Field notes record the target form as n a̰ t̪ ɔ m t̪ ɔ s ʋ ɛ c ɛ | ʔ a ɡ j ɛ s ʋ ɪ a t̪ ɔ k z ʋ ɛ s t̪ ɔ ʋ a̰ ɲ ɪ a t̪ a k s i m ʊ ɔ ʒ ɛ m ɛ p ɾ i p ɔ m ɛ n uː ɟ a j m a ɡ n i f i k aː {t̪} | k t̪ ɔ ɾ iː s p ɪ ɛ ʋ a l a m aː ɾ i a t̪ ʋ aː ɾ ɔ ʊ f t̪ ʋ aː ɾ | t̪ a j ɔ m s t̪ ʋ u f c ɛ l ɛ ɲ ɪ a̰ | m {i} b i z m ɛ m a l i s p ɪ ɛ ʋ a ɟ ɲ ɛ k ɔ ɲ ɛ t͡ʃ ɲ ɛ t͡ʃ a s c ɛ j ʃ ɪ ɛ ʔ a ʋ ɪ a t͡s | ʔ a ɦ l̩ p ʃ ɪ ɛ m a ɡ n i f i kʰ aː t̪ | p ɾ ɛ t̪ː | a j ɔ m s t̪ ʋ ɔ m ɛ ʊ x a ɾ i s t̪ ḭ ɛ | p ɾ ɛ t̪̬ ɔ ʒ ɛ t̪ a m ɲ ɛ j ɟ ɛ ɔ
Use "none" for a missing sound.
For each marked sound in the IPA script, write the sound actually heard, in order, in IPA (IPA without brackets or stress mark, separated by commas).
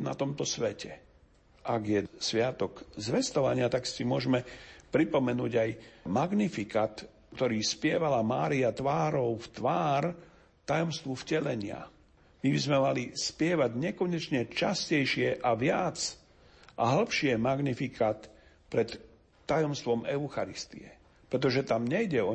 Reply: t̪, i